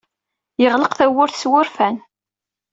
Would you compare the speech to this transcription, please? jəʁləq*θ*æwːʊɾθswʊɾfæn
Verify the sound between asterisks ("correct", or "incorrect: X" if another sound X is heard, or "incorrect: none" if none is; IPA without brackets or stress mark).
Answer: correct